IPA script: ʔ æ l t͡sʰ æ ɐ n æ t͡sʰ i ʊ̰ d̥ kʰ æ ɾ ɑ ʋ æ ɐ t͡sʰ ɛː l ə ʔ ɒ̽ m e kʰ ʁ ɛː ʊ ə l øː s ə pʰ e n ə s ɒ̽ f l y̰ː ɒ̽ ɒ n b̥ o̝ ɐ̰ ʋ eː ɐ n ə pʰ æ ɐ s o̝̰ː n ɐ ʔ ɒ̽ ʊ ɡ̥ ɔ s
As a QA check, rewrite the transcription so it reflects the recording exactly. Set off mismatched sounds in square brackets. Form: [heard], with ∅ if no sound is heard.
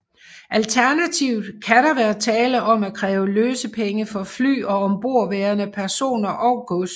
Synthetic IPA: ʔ æ l t͡sʰ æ ɐ n æ t͡sʰ i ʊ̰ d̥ kʰ æ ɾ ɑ ʋ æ ɐ t͡sʰ ɛː l ə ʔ ɒ̽ m [æ] kʰ ʁ ɛː ʊ ə l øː s ə pʰ e [ŋ] ə [f] ɒ̽ f l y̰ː ɒ̽ ɒ [m] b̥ o̝ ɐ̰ ʋ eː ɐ n ə pʰ æ ɐ s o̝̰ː n ɐ ʔ ɒ̽ ʊ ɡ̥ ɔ s